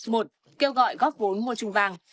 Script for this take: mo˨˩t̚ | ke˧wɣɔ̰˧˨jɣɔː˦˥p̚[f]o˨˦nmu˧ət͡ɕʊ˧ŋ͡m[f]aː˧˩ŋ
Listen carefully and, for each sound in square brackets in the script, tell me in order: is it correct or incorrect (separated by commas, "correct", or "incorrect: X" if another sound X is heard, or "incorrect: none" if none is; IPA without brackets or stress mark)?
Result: incorrect: v, incorrect: v